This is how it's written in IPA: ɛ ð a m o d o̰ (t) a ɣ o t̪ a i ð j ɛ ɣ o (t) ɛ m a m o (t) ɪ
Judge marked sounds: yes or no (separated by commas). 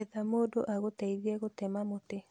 no, yes, yes